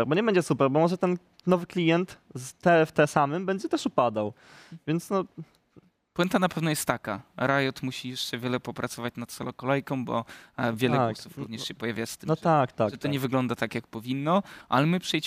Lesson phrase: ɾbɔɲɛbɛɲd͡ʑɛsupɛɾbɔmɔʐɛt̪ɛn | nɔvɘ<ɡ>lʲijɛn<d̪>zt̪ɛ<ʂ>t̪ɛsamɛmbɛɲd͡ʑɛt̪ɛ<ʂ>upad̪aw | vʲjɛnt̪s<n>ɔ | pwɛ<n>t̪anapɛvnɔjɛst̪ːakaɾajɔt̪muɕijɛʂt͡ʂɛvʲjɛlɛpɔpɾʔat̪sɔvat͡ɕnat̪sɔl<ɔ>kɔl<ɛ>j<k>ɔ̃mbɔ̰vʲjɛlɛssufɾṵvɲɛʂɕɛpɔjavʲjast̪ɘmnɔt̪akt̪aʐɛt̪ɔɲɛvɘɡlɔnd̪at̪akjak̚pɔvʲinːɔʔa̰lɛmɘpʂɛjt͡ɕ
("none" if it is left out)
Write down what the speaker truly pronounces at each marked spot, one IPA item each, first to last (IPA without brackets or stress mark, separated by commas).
k, t̪, f, ʂ, n, n, ɔ, ɛ, k